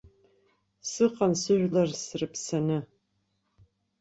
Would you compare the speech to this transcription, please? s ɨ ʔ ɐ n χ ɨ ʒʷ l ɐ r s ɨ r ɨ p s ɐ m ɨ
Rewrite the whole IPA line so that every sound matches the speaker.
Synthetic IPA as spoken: s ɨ q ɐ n s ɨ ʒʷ l ɐ r s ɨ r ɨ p s ɐ n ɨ